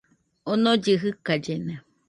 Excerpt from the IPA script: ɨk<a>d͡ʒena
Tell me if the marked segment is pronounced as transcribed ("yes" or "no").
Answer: yes